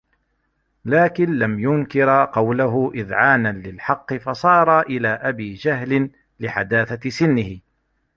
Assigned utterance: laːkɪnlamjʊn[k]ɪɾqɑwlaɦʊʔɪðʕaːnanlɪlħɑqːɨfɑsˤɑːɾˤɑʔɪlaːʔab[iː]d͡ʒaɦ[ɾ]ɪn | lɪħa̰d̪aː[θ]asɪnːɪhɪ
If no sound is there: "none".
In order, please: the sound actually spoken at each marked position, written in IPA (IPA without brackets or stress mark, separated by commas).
k, iː, l, θ